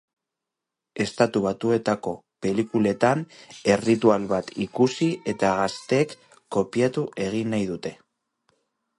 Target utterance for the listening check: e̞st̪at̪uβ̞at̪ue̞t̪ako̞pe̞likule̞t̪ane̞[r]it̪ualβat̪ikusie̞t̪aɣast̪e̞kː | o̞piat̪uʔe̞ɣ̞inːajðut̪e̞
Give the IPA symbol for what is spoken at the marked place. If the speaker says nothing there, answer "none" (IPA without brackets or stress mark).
r